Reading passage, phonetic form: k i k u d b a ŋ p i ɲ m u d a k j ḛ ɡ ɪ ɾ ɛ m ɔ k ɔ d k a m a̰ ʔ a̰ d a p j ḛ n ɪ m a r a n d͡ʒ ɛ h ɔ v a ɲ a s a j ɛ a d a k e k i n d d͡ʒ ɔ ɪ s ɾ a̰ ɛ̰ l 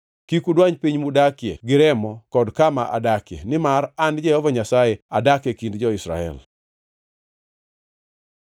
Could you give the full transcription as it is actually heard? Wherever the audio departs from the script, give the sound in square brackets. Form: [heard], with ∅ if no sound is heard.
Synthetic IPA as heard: k i k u d [w] a [ɲ] p i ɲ m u d a k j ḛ ɡ ɪ ɾ ɛ m ɔ k ɔ d k a m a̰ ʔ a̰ d a [k] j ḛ n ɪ m a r a n d͡ʒ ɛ h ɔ v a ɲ a s a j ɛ a d a k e k i n d d͡ʒ ɔ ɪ s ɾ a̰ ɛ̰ l